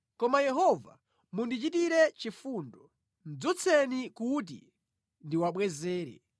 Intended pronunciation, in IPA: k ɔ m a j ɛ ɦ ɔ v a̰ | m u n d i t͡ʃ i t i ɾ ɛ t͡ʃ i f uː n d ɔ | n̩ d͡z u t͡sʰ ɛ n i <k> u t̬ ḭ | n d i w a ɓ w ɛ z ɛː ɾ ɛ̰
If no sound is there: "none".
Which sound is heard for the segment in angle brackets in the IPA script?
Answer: k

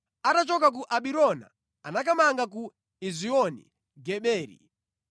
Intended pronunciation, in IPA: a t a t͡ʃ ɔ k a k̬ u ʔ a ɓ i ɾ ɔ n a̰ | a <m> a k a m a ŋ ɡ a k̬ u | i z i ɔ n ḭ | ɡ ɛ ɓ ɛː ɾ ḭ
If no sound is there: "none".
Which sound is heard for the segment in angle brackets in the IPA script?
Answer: n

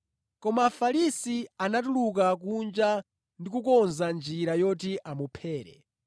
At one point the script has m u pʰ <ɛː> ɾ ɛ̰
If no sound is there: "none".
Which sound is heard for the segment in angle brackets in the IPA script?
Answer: ɛː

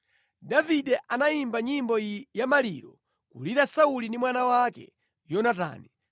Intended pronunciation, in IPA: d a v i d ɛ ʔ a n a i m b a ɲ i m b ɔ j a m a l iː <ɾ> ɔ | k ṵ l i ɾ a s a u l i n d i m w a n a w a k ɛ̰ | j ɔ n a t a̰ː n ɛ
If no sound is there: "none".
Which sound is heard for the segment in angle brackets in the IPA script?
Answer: ɾ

